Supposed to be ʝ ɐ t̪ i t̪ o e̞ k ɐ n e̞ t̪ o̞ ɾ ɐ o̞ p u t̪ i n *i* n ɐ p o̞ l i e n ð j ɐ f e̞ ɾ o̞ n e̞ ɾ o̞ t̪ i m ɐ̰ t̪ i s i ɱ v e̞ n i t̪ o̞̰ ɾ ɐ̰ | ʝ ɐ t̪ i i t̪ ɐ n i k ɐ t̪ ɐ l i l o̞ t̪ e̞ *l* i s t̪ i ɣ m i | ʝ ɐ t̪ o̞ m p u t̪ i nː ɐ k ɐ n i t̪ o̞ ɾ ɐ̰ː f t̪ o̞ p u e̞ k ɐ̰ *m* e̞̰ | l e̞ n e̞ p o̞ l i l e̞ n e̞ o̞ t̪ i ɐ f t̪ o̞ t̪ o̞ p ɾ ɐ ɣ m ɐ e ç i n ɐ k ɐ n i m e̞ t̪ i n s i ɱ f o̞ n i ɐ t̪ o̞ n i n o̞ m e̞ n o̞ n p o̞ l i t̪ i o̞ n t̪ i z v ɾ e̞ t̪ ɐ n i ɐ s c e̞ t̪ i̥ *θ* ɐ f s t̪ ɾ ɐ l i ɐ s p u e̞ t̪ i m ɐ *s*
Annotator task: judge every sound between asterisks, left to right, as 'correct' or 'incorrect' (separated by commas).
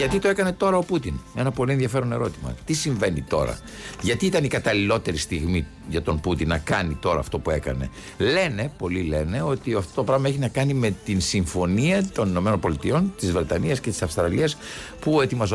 incorrect, incorrect, incorrect, incorrect, incorrect